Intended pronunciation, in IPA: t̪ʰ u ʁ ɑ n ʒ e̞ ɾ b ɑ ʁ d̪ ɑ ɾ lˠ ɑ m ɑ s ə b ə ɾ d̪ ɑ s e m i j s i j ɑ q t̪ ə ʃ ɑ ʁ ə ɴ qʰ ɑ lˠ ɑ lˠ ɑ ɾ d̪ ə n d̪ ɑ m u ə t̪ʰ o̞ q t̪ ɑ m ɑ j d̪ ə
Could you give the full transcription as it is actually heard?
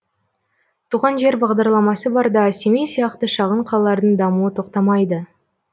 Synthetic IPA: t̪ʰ u ʁ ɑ n ʒ e̞ ɾ b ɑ ʁ d̪ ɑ ɾ lˠ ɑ m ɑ s ə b ɑ ɾ d̪ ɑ s e m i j s i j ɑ q t̪ ə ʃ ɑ ʁ ə ɴ qʰ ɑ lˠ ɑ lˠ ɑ ɾ d̪ ə ɴ d̪ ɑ m u ə t̪ʰ o̞ q t̪ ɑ m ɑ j d̪ ə